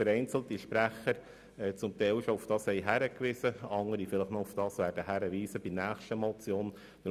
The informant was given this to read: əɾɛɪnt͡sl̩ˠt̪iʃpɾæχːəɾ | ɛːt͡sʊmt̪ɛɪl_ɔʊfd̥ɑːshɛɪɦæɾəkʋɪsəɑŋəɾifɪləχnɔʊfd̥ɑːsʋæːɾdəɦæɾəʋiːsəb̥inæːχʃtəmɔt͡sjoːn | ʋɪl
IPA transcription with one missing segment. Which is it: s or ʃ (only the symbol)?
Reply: ʃ